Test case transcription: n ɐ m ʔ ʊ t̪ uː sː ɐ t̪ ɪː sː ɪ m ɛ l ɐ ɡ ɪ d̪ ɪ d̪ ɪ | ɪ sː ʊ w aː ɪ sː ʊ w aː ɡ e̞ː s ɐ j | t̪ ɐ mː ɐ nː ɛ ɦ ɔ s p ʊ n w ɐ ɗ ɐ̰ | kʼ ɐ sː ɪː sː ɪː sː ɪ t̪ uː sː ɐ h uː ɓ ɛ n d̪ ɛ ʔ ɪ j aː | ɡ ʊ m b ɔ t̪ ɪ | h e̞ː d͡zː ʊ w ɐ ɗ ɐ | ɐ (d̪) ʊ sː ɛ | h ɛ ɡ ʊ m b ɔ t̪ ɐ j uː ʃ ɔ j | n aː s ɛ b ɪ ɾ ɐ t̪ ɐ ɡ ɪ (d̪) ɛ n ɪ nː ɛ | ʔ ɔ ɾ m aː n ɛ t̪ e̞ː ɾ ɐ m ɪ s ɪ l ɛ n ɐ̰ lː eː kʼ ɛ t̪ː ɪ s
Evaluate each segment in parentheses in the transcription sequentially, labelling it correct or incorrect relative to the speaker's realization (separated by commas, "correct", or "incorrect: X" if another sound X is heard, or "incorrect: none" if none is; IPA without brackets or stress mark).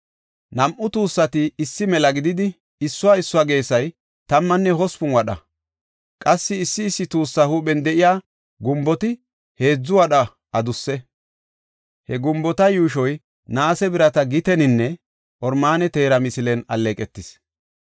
correct, incorrect: t̪